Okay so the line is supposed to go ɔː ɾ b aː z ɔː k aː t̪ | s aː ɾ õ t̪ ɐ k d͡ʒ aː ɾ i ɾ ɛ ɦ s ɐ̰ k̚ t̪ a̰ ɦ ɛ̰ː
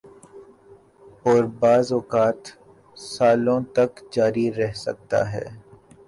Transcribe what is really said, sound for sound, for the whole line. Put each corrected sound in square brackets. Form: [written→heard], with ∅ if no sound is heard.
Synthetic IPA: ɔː ɾ b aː z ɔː k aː t̪ | s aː [ɾ→l] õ t̪ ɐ k d͡ʒ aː ɾ i ɾ ɛ ɦ s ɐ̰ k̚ t̪ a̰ ɦ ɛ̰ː